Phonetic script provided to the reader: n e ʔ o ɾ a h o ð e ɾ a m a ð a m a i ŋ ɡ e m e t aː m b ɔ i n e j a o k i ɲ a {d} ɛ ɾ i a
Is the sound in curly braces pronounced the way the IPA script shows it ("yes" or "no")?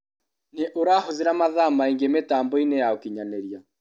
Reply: no